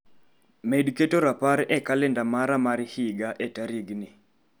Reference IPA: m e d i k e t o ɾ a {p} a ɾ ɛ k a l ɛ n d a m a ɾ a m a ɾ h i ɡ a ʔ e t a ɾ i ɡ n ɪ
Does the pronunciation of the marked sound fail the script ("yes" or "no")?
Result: no